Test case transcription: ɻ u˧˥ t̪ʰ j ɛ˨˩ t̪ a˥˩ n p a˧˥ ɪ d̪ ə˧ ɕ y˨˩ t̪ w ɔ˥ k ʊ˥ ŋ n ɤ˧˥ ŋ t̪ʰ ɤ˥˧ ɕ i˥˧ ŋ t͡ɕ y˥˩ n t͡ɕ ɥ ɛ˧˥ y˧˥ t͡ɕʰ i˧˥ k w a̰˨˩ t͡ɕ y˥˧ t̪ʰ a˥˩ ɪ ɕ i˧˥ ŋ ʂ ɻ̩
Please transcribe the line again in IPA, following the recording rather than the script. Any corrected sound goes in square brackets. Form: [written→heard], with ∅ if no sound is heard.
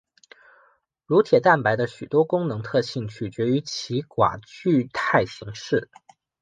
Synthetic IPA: ɻ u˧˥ t̪ʰ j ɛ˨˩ t̪ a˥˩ n p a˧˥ ɪ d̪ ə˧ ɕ y˨˩ t̪ w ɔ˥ k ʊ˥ ŋ n ɤ˧˥ ŋ t̪ʰ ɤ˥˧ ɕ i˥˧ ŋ [t͡ɕ→t͡ɕʰ] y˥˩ [n→∅] t͡ɕ ɥ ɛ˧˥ y˧˥ t͡ɕʰ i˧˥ k w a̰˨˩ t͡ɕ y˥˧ t̪ʰ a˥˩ ɪ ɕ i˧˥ ŋ ʂ ɻ̩